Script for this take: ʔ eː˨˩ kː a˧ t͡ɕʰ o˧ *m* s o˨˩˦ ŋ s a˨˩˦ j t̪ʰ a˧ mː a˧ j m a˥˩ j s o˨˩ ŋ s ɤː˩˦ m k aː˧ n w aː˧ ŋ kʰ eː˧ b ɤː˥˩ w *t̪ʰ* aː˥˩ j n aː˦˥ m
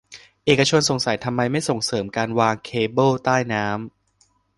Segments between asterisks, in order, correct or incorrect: incorrect, incorrect

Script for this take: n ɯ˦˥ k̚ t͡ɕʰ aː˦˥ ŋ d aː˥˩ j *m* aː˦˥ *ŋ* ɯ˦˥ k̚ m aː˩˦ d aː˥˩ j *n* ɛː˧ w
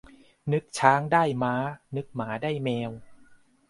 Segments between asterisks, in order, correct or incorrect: correct, incorrect, incorrect

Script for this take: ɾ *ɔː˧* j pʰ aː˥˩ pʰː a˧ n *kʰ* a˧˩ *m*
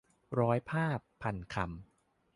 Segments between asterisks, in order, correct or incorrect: incorrect, correct, correct

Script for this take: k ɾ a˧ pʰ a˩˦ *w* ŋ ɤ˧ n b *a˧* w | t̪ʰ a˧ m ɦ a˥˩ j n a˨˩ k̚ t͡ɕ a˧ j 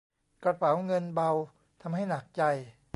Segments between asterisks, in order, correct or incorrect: correct, correct

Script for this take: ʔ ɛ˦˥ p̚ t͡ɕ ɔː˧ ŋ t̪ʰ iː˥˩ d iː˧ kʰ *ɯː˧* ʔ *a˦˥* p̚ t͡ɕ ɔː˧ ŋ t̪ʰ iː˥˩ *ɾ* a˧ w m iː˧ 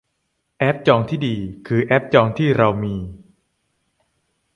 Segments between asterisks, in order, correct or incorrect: correct, incorrect, correct

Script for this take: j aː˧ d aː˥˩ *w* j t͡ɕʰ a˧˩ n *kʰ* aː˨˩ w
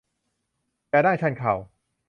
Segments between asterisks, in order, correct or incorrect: incorrect, correct

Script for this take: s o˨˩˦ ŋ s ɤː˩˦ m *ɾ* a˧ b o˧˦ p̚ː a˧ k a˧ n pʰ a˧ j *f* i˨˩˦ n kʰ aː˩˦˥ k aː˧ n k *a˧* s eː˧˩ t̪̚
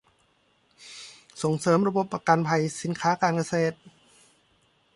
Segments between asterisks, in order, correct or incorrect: correct, incorrect, correct

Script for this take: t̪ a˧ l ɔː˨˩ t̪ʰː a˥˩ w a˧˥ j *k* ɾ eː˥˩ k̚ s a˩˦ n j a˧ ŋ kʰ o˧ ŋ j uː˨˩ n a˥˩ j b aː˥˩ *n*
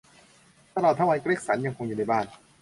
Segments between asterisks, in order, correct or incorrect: correct, correct

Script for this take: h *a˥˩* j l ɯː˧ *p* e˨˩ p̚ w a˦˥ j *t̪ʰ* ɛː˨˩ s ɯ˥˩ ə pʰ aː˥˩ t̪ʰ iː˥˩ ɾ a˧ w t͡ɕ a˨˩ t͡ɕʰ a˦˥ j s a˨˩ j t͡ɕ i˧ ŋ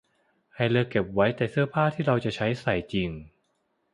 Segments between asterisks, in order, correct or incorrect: incorrect, incorrect, incorrect

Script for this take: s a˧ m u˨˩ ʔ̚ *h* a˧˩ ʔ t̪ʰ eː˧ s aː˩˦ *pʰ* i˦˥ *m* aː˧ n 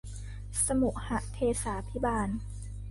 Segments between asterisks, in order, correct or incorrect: correct, correct, incorrect

